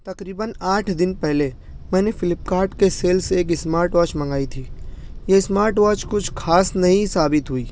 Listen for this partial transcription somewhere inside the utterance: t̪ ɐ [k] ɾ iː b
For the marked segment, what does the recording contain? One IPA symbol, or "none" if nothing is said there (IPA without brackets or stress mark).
k